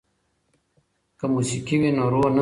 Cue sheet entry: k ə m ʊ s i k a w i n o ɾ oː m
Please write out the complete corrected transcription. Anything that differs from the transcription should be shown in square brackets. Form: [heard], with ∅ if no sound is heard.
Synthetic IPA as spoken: k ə m [u] s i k [i] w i n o ɾ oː [n]